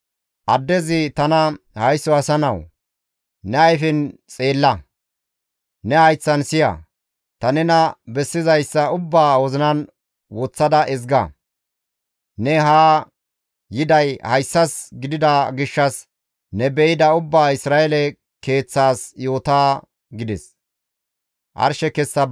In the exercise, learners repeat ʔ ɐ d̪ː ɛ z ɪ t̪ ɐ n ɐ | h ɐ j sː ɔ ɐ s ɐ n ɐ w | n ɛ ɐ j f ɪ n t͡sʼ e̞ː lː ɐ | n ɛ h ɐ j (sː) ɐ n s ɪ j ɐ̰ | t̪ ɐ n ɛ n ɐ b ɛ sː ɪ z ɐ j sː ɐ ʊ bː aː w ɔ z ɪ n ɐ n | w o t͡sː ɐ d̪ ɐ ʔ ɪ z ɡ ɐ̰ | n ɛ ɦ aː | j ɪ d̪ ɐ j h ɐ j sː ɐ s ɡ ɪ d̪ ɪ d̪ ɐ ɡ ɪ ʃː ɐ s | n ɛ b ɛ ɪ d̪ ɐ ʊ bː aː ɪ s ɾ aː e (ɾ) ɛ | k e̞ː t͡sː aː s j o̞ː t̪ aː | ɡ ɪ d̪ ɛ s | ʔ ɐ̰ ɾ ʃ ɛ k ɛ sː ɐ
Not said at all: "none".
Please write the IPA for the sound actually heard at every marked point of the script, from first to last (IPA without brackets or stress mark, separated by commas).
t͡sː, l